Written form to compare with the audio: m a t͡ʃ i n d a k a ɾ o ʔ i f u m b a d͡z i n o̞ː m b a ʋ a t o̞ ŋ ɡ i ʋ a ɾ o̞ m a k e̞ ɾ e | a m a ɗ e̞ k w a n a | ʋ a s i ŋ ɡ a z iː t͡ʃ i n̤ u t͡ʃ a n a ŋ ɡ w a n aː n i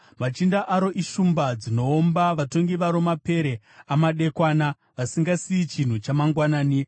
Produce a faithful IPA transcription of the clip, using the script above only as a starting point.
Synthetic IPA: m a t͡ʃ i n d a ʔ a ɾ o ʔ i ʃ u m b a d͡z i n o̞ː m b a ʋ a t o̞ ŋ ɡ i ʋ a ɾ o̞ m a p e̞ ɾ e | a m a ɗ e̞ k w a n a | ʋ a s i ŋ ɡ a s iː t͡ʃ i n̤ u t͡ʃ a m a ŋ ɡ w a n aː n i